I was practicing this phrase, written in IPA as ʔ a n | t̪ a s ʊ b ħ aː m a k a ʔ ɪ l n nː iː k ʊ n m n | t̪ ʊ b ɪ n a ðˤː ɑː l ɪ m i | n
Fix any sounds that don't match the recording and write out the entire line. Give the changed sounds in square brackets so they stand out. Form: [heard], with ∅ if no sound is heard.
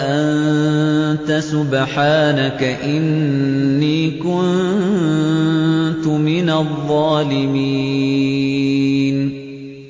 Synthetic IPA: ʔ a n | t̪ a s ʊ b ħ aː [n] a k a ʔ ɪ [∅] n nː iː k ʊ n [n] n | t̪ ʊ [m] ɪ n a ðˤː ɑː l ɪ m i | n

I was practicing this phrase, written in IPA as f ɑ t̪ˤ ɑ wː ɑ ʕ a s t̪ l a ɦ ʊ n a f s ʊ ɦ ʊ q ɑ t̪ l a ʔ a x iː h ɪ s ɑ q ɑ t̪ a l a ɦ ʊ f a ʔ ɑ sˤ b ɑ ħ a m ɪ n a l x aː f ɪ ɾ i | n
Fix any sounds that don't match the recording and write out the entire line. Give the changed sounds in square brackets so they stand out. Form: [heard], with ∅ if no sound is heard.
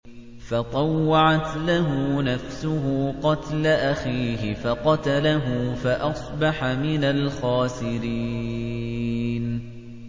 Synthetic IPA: f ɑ t̪ˤ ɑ wː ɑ ʕ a [∅] t̪ l a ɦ ʊ n a f s ʊ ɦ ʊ q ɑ t̪ l a ʔ a x iː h ɪ [f] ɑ q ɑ t̪ a l a ɦ ʊ f a ʔ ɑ sˤ b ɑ ħ a m ɪ n a l x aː [s] ɪ ɾ i | n

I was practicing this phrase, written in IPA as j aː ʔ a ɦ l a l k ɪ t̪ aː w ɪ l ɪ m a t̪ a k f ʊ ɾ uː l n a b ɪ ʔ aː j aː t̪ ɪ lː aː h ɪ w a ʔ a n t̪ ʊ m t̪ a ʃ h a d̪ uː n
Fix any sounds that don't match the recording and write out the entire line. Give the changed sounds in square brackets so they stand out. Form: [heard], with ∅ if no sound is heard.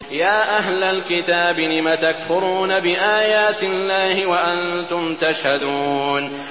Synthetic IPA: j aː ʔ a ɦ l a l k ɪ t̪ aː [b] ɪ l ɪ m a t̪ a k f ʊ ɾ uː [∅] n a b ɪ ʔ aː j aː t̪ ɪ lː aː h ɪ w a ʔ a n t̪ ʊ m t̪ a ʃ h a d̪ uː n

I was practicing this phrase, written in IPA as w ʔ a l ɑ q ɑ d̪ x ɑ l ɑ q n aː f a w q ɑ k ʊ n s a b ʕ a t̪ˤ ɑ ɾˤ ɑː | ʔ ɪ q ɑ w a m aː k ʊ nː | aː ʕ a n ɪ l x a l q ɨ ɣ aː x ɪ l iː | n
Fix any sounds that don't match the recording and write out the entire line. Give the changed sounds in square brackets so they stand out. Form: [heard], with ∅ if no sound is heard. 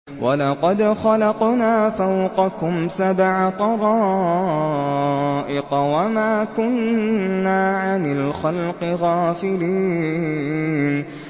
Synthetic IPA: w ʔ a l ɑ q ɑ d̪ x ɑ l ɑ q n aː f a w q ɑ k ʊ [m] s a b ʕ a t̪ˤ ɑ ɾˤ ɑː | ʔ ɪ q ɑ w a m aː k ʊ nː | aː ʕ a n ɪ l x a l q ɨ ɣ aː [f] ɪ l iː | n

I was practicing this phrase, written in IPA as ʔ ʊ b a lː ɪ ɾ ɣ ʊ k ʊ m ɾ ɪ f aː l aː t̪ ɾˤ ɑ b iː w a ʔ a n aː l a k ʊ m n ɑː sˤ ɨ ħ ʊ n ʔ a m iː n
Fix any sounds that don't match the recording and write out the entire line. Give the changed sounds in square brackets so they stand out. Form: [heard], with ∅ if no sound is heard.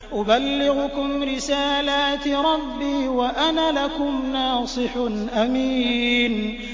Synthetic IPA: ʔ ʊ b a lː ɪ [∅] ɣ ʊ k ʊ m ɾ ɪ [s] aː l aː t̪ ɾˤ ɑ [bː] iː w a ʔ a n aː l a k ʊ m n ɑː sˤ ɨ ħ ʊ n ʔ a m iː n

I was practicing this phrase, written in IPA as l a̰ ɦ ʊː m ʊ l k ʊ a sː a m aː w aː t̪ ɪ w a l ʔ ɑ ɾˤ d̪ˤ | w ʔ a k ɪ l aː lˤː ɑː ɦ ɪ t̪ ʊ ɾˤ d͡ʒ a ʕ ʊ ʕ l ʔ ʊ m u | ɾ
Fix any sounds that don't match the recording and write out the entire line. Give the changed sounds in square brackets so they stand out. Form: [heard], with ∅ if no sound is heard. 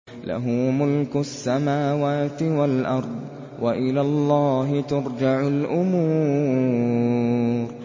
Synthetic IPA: l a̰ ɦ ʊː m ʊ l k ʊ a sː a m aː w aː t̪ ɪ w a l ʔ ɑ ɾˤ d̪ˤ | w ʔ a [ʔ] ɪ l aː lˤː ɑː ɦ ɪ t̪ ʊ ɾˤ d͡ʒ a ʕ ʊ [∅] l ʔ ʊ m [uː] | ɾ

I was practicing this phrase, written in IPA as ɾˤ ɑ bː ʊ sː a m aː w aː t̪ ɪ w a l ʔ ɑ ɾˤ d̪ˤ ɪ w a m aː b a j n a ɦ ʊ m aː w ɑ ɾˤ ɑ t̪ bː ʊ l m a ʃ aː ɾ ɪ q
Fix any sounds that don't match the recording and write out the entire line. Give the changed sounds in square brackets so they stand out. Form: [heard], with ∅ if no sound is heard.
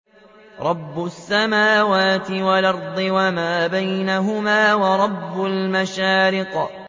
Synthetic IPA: ɾˤ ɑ bː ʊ sː a m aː w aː t̪ ɪ w a l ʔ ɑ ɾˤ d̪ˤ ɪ w a m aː b a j n a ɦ ʊ m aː w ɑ ɾˤ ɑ [∅] bː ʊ l m a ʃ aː ɾ ɪ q

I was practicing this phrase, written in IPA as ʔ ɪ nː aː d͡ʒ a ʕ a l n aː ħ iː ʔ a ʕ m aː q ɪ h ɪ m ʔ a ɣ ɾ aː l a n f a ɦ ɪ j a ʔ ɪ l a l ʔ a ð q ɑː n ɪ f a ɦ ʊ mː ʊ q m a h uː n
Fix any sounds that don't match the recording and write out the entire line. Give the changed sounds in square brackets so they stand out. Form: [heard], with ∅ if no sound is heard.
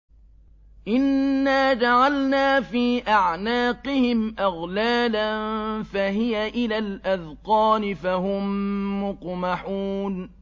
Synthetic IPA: ʔ ɪ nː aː d͡ʒ a ʕ a l n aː [f] iː ʔ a ʕ [n] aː q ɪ h ɪ m ʔ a ɣ [l] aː l a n f a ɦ ɪ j a ʔ ɪ l a l ʔ a ð q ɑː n ɪ f a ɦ ʊ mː ʊ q m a [ħ] uː n

